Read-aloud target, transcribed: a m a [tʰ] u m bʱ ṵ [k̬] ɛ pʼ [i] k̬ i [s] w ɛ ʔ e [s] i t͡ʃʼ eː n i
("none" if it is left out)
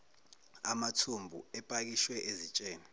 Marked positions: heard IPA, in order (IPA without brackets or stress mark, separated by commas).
tʰ, none, a, ʃ, z